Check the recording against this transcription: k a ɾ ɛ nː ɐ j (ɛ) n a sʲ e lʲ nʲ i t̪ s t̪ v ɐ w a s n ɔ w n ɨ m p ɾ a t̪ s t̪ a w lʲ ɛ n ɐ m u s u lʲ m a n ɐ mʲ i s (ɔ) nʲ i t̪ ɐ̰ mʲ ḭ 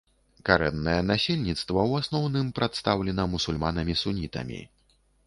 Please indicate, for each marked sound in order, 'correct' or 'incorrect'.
correct, incorrect: u

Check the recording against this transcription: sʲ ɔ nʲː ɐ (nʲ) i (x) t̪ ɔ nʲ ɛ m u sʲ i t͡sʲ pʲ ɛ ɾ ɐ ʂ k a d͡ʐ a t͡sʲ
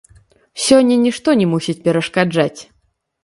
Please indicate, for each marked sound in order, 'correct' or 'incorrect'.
correct, incorrect: ʂ

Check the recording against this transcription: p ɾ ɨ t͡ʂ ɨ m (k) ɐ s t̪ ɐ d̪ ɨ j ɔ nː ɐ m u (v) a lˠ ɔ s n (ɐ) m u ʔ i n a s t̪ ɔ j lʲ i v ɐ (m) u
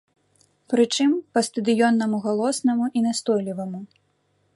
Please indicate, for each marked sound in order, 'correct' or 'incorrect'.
incorrect: p, incorrect: ɣ, correct, correct

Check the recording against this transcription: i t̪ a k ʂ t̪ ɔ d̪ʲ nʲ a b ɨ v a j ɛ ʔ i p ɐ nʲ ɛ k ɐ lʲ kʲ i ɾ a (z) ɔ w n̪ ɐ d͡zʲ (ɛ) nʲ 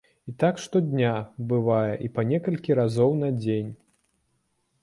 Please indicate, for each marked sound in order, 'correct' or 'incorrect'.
correct, incorrect: e

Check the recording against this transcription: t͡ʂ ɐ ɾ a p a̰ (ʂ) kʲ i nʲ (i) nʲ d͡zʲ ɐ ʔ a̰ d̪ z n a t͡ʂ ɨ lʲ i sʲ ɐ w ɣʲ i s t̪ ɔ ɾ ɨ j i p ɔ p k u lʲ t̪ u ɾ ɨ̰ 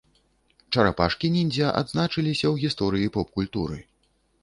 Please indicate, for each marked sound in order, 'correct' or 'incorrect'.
correct, correct

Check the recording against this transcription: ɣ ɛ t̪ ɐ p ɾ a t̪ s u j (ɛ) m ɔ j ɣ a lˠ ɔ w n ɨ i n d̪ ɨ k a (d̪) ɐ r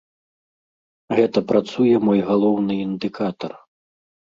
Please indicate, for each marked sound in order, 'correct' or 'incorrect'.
correct, incorrect: t̪

